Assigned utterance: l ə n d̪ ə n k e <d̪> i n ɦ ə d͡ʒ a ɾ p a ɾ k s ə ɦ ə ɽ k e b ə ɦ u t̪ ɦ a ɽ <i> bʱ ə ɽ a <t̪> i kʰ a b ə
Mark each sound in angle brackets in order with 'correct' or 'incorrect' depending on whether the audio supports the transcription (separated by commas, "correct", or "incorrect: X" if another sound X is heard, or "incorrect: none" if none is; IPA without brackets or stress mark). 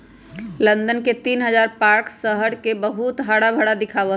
incorrect: t̪, incorrect: a, incorrect: d̪